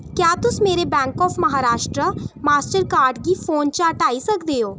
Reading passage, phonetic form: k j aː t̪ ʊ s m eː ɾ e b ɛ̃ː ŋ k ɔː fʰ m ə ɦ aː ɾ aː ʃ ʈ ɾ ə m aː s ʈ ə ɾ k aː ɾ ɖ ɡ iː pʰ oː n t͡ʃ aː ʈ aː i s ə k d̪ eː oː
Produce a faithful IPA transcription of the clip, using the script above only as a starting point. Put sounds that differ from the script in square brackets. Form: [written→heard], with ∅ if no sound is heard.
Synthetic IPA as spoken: k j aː t̪ ʊ s m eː ɾ e b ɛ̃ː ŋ k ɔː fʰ m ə ɦ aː ɾ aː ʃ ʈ ɾ ə m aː s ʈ ə ɾ k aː ɾ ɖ ɡ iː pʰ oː n t͡ʃ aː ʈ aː i s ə k d̪ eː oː